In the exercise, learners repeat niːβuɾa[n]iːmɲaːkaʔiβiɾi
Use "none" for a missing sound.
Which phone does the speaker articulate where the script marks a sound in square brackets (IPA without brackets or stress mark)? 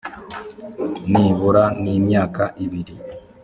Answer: n